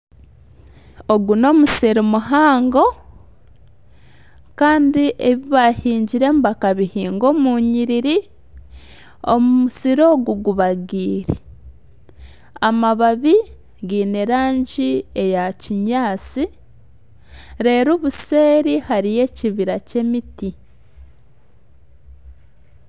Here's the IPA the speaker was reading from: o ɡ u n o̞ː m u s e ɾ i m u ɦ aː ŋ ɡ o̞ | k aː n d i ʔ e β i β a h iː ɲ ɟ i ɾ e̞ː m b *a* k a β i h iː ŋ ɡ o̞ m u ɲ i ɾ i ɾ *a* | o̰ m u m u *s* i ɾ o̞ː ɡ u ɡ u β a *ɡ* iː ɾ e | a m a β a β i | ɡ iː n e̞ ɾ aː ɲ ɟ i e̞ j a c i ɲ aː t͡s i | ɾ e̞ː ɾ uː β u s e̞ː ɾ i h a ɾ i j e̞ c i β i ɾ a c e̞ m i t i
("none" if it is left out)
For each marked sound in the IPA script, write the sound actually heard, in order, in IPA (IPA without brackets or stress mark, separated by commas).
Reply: a, i, s, ɡ